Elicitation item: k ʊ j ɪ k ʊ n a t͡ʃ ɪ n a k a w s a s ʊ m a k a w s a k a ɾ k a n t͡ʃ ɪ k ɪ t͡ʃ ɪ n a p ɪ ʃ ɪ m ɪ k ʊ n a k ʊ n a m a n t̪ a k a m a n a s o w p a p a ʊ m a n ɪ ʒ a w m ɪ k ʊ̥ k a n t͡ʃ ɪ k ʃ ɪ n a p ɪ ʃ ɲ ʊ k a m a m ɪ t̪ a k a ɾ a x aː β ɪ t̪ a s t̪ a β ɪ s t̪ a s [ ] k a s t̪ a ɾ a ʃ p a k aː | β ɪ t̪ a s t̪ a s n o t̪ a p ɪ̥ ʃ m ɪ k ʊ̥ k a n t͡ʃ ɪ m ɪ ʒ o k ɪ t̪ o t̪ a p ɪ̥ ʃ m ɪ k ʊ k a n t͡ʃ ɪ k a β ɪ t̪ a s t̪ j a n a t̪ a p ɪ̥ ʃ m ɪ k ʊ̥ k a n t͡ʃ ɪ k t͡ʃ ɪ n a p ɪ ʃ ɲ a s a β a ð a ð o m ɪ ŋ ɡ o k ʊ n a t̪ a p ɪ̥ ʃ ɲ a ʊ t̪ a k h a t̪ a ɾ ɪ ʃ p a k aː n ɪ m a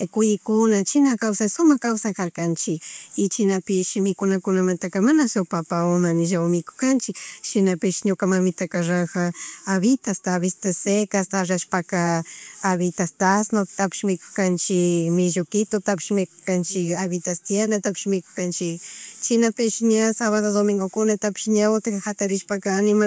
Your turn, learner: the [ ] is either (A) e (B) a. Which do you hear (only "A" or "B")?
A